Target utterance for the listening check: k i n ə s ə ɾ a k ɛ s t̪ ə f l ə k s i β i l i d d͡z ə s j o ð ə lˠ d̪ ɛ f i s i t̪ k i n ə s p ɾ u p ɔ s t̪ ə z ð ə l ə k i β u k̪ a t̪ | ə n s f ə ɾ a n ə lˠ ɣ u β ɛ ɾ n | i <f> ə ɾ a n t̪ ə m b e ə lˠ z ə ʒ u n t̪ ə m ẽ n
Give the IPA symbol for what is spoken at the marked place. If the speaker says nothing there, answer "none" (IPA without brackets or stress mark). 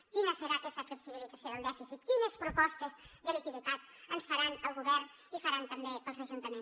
f